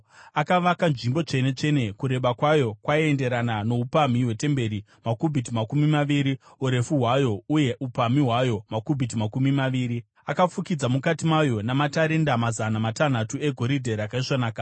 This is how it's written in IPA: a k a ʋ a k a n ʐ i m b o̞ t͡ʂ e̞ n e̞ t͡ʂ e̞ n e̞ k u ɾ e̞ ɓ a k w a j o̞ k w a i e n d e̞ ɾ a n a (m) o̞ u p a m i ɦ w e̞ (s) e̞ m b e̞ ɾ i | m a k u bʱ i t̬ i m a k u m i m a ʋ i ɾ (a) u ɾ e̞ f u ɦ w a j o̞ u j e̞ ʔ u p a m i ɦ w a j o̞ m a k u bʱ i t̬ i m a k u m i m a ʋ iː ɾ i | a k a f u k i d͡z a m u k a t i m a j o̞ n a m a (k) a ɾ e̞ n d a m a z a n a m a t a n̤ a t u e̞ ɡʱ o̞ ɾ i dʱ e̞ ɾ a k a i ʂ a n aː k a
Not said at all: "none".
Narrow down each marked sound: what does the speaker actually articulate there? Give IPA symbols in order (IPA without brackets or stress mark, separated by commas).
n, t, i, t